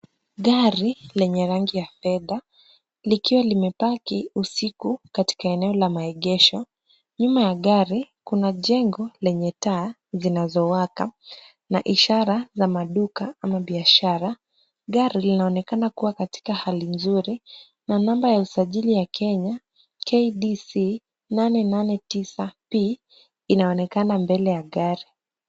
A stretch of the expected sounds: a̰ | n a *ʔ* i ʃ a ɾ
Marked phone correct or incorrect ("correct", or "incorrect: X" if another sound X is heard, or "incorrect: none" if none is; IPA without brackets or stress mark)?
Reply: correct